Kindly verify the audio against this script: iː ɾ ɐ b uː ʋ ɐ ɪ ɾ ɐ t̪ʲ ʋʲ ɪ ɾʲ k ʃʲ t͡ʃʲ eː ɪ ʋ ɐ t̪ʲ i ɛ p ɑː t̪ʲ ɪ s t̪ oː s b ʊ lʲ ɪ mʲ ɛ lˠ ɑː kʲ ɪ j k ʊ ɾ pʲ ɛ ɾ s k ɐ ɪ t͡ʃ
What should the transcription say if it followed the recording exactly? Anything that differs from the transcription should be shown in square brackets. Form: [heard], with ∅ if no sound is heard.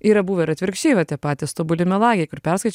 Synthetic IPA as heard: iː ɾ ɐ b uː ʋ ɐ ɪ ɾ ɐ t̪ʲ ʋʲ ɪ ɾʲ k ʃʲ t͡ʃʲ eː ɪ ʋ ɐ t̪ʲ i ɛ p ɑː t̪ʲ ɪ s t̪ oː [∅] b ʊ lʲ ɪ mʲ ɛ lˠ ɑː [ɡʲ] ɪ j k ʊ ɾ pʲ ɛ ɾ s k ɐ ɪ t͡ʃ